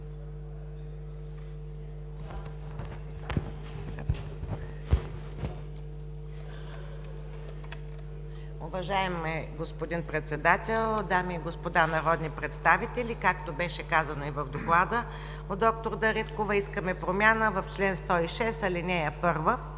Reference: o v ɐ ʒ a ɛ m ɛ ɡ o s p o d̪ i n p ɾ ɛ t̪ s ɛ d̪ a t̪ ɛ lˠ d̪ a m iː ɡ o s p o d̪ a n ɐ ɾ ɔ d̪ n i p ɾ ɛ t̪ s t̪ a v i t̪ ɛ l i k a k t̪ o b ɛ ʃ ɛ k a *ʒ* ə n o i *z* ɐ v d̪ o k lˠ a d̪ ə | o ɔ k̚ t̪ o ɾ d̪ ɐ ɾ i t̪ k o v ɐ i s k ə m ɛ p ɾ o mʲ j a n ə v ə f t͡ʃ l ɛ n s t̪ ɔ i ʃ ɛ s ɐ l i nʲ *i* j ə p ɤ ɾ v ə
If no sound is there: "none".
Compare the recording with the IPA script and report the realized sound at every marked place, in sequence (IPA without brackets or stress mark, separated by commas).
z, v, ɛ